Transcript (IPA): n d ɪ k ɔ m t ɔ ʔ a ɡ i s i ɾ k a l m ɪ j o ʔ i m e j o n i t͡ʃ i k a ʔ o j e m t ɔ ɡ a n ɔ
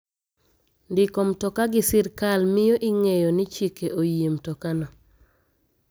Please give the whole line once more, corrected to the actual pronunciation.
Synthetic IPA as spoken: n d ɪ k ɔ m t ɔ k a ɡ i s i ɾ k a l m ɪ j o ʔ i ŋ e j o n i t͡ʃ i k e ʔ o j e m t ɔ k a n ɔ